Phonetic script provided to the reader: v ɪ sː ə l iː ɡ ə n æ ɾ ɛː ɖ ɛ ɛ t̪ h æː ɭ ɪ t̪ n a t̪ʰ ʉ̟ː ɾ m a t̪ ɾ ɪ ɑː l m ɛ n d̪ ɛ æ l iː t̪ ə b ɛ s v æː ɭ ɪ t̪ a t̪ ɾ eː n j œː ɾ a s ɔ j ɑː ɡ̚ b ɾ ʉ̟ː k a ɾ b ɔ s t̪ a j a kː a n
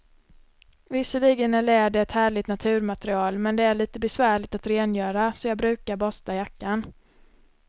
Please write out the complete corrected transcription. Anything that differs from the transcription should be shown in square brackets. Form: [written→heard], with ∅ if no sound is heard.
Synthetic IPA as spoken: v ɪ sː ə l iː ɡ ə n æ [ɾ→ɭ] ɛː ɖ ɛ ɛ t̪ h æː ɭ ɪ t̪ n a t̪ʰ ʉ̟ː ɾ m a t̪ ɾ ɪ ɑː l m ɛ n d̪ ɛ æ [l→ɭ] iː t̪ ə b ɛ s v æː ɭ ɪ t̪ a t̪ ɾ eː n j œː ɾ a s ɔ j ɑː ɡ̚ b ɾ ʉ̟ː k a ɾ b ɔ s t̪ a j a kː a n

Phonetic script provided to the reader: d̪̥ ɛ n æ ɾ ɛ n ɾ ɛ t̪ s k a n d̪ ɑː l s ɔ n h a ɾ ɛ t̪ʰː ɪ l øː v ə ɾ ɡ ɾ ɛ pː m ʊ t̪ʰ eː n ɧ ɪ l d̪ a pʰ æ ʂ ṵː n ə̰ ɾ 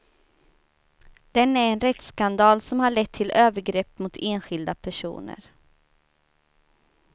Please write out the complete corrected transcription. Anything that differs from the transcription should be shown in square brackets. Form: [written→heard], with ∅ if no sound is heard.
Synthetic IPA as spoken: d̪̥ ɛ n æ ɾ ɛ n ɾ ɛ t̪ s k a n d̪ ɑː l s ɔ [n→m] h a [ɾ→ɭ] ɛ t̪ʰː ɪ l øː v ə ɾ ɡ ɾ ɛ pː m ʊ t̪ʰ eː n ɧ ɪ l d̪ a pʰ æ ʂ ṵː n ə̰ ɾ

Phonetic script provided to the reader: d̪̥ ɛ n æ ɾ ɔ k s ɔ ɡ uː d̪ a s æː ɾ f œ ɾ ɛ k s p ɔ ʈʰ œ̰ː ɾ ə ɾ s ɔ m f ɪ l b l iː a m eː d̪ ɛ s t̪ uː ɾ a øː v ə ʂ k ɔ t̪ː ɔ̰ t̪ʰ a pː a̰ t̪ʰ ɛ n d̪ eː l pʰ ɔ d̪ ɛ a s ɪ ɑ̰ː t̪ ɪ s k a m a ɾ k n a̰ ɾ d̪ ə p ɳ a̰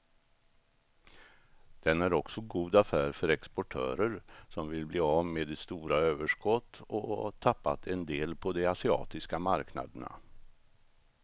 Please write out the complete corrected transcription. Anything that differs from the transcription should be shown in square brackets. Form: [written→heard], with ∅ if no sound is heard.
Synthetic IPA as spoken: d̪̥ ɛ n æ ɾ ɔ k s ɔ ɡ uː d̪ a [s→f] æː ɾ f œ ɾ ɛ k s p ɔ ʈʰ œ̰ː ɾ ə ɾ s ɔ m [f→v] ɪ l b l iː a m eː d̪ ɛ s t̪ uː ɾ a øː v ə ʂ k ɔ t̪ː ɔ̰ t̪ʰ a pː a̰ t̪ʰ ɛ n d̪ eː l pʰ ɔ d̪ ɛ a s ɪ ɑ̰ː t̪ ɪ s k a m a ɾ k n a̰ [ɾ→∅] d̪ ə [p→∅] ɳ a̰

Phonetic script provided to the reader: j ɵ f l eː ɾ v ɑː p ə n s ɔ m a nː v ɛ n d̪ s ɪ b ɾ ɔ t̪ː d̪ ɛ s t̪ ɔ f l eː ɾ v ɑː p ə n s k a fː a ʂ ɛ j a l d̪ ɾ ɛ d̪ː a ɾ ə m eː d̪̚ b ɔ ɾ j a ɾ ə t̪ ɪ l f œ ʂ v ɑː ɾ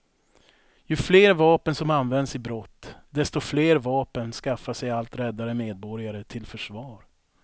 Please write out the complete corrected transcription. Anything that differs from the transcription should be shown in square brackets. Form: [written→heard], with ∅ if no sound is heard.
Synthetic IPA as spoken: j ɵ f l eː ɾ v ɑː p ə n s ɔ m a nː v ɛ n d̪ s ɪ b ɾ ɔ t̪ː d̪ ɛ s t̪ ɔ f l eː ɾ v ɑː p ə n s k a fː a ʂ ɛ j a l [d̪→t̪] ɾ ɛ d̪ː a ɾ ə m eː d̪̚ b ɔ ɾ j a ɾ ə [t̪→t̪ʰ] ɪ l f œ ʂ v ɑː ɾ

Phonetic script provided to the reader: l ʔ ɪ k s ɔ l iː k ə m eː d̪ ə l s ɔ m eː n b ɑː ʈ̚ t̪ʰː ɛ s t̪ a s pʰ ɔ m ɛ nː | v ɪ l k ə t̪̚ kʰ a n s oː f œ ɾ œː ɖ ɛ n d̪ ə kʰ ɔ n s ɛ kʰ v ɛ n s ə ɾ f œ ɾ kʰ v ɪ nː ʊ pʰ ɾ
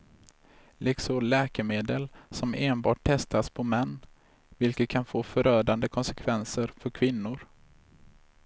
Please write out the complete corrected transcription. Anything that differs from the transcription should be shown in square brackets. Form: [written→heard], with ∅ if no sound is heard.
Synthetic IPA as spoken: l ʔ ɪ k s ɔ l [iː→ɛː] k ə m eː d̪ ə l s ɔ m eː n b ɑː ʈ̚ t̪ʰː ɛ s t̪ a s pʰ ɔ m ɛ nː | v ɪ l k ə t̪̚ kʰ a n [s→f] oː f œ ɾ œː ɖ [ɛ→a] n d̪ ə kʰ ɔ n s ɛ kʰ v ɛ n s ə ɾ f œ ɾ kʰ v ɪ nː ʊ [pʰ→∅] ɾ

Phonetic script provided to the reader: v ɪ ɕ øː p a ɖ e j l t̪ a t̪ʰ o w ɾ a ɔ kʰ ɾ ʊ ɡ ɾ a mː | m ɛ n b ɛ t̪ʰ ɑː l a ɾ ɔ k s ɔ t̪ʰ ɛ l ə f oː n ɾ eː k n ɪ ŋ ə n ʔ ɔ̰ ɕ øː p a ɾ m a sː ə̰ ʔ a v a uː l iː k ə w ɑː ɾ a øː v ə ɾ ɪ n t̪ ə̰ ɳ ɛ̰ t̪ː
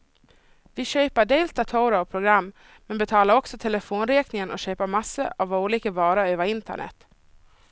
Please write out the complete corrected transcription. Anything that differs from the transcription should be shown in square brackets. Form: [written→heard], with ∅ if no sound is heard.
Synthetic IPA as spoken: v ɪ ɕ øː p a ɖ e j l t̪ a t̪ʰ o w ɾ a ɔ [kʰ→pʰ] ɾ ʊ ɡ ɾ a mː | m ɛ n b ɛ t̪ʰ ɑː l a ɾ ɔ k s ɔ t̪ʰ ɛ l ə f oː n ɾ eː k n ɪ ŋ ə n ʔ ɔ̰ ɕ øː p a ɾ m a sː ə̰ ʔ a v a uː l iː k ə [w→v] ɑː ɾ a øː v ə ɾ ɪ n t̪ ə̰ ɳ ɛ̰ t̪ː

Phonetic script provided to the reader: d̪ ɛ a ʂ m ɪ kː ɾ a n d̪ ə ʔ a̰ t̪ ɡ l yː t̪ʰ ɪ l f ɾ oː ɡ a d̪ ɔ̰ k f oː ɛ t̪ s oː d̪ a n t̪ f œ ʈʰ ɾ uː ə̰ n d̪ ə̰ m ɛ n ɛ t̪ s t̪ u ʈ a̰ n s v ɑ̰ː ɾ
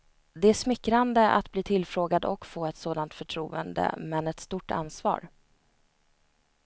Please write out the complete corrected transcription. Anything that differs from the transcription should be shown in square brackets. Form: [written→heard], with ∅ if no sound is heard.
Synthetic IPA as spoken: d̪ ɛ [a→æ] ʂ m ɪ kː ɾ a n d̪ ə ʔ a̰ t̪ [ɡ→b] l [yː→iː] t̪ʰ ɪ l f ɾ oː ɡ a d̪ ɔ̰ k f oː ɛ t̪ s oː d̪ a n t̪ f œ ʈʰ ɾ uː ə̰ n d̪ ə̰ m ɛ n ɛ t̪ s t̪ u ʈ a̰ n s v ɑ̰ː ɾ

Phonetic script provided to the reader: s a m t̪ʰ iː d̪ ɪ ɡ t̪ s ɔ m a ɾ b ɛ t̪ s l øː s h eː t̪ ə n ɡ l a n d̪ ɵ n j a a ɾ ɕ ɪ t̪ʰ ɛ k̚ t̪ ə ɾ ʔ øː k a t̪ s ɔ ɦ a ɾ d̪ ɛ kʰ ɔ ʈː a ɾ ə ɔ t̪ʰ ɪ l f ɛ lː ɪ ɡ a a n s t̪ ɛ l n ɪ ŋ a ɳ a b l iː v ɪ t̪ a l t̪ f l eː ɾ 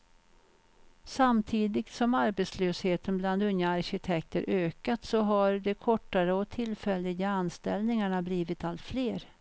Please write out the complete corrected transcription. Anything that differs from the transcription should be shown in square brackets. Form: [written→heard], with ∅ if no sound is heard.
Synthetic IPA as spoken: s a m t̪ʰ iː d̪ ɪ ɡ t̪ s ɔ m a ɾ b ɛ t̪ s l øː s h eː t̪ ə n [ɡ→b] l a n d̪ ɵ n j a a ɾ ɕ ɪ t̪ʰ ɛ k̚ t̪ ə ɾ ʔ øː k a t̪ s ɔ ɦ a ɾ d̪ ɛ kʰ ɔ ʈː a ɾ ə ɔ t̪ʰ ɪ l f ɛ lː ɪ ɡ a a n s t̪ ɛ l n ɪ ŋ a ɳ a b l iː v ɪ t̪ a l t̪ f l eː ɾ

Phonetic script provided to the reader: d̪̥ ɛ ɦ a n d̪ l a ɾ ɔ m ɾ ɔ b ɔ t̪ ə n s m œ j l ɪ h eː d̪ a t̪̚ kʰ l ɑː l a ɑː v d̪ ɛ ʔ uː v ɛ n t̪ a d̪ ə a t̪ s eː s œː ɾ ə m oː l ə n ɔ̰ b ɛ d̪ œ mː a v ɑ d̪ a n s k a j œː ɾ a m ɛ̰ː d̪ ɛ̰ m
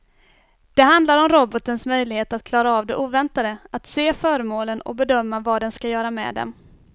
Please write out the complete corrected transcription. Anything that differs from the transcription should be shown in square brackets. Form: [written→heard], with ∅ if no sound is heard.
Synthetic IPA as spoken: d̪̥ ɛ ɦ a n d̪ l a ɾ ɔ m ɾ ɔ b ɔ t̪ ə n s m œ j l ɪ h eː [d̪→t̪] a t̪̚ kʰ l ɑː [l→ɾ] a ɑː v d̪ ɛ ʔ uː v ɛ n t̪ a d̪ ə a t̪ s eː [s→f] œː ɾ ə m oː l ə n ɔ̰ b ɛ d̪ œ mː a v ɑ d̪ [a→ɛ] n s k a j œː ɾ a m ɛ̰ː d̪ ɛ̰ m

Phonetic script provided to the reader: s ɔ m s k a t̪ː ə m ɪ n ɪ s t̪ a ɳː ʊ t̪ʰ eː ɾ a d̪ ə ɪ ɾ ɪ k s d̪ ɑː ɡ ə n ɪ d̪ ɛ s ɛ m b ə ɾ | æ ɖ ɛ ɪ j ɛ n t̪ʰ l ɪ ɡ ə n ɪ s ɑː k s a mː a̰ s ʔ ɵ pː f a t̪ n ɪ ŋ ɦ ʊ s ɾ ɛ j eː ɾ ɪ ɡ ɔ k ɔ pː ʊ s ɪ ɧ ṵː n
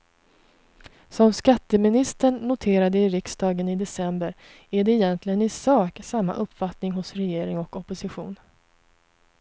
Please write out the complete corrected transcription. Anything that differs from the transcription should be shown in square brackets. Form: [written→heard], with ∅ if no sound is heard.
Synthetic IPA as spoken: s ɔ m s k a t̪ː ə m ɪ n ɪ s t̪ [a→ə] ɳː ʊ t̪ʰ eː ɾ a d̪ ə ɪ ɾ ɪ k s d̪ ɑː ɡ ə n ɪ d̪ ɛ s ɛ m b ə ɾ | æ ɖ ɛ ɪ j ɛ n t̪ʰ l ɪ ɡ ə n ɪ s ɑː k s a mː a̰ [s→∅] ʔ ɵ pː f a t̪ n ɪ ŋ ɦ ʊ s ɾ ɛ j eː ɾ ɪ [ɡ→ŋ] ɔ k ɔ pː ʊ s ɪ ɧ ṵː n

